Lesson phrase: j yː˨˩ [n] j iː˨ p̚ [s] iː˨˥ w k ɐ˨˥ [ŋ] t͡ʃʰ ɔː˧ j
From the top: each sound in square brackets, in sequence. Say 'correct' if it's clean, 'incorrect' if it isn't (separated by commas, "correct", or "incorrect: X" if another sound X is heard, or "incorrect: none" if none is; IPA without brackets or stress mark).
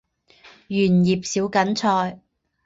correct, correct, incorrect: n